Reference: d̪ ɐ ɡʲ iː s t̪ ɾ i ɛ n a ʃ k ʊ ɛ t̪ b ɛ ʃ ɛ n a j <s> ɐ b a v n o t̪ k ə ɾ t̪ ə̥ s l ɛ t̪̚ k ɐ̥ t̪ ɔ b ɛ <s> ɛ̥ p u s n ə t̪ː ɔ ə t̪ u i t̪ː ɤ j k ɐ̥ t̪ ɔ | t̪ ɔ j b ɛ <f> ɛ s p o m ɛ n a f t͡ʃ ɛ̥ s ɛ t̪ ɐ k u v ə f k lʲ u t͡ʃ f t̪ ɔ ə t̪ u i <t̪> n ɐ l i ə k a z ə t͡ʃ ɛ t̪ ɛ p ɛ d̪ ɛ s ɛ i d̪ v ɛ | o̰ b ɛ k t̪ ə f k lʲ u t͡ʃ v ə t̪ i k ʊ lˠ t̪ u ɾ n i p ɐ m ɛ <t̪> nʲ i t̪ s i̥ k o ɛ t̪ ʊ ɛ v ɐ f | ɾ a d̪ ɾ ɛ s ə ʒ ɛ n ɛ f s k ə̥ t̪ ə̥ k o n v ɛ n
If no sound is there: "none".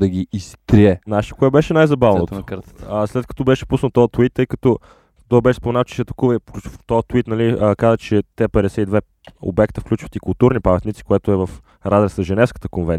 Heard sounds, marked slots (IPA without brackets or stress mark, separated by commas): z, ʃ, ʃ, t̪, t̪